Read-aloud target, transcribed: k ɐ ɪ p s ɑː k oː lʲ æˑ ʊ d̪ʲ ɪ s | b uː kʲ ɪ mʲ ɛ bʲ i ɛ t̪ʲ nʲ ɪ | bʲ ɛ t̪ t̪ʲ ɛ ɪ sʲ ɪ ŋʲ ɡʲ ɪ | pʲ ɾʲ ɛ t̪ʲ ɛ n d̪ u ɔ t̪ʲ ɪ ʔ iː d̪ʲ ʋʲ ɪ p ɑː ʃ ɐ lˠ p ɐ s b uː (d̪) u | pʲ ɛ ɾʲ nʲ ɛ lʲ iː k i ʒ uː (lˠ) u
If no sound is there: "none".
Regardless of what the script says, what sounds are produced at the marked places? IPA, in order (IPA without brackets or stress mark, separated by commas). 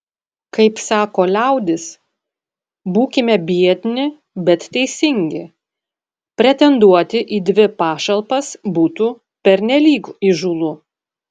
t̪, lˠ